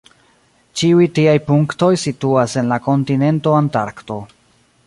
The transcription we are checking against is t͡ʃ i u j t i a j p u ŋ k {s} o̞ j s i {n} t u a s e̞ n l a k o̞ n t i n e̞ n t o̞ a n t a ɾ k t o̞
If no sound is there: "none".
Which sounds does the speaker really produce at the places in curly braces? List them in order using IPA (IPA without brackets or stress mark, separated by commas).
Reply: t, none